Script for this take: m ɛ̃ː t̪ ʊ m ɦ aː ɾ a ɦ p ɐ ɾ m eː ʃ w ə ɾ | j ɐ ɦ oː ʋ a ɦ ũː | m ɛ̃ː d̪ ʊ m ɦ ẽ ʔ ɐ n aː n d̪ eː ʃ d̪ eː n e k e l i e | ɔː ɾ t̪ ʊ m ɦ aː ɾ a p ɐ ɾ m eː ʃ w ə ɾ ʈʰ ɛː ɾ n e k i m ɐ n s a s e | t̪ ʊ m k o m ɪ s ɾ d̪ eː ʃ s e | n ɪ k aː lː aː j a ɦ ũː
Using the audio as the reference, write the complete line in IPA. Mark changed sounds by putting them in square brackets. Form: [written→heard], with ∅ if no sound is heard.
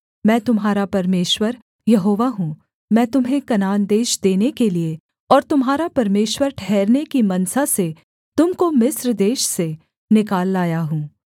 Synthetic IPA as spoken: m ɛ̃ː t̪ ʊ m ɦ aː ɾ a [ɦ→∅] p ɐ ɾ m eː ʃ w ə ɾ | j ɐ ɦ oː ʋ a ɦ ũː | m ɛ̃ː [d̪→t̪] ʊ m ɦ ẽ [ʔ→k] ɐ n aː n d̪ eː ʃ d̪ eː n e k e l i e | ɔː ɾ t̪ ʊ m ɦ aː ɾ a p ɐ ɾ m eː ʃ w ə ɾ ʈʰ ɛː ɾ n e k i m ɐ n s a s e | t̪ ʊ m k o m ɪ s ɾ d̪ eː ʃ s e | n ɪ k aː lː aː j a ɦ ũː